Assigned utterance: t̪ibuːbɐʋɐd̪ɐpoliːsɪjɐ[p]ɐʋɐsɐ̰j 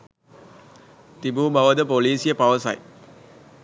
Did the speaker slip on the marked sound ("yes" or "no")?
no